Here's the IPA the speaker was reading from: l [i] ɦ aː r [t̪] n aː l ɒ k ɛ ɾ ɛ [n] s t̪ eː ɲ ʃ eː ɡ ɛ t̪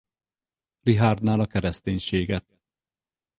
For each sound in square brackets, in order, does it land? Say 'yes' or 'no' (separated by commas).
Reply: yes, no, no